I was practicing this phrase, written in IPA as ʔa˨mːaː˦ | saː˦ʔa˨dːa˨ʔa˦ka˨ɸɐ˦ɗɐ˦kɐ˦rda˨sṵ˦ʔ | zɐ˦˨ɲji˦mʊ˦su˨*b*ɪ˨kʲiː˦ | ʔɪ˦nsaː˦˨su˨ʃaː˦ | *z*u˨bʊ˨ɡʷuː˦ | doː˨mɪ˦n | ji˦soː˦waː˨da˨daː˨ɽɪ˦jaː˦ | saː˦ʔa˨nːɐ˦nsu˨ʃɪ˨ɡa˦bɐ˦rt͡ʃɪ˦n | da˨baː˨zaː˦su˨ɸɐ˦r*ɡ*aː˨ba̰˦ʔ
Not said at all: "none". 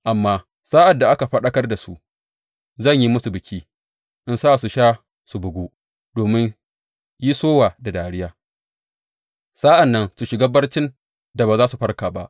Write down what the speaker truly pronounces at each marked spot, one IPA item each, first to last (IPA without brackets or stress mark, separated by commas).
b, s, k